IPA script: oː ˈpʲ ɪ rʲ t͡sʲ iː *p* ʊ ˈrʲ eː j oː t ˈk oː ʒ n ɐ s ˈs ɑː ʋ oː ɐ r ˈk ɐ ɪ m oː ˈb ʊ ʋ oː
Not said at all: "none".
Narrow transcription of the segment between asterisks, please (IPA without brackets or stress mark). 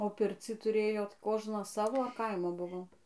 t